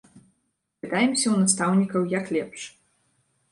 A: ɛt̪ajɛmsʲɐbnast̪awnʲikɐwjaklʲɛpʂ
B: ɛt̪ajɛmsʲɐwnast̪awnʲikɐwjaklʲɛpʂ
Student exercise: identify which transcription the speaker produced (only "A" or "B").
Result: B